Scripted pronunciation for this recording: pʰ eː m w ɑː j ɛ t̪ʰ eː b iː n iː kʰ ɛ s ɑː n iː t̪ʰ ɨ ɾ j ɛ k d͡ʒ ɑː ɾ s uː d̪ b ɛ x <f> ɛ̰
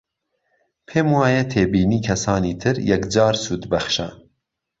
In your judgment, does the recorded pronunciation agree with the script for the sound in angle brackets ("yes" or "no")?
no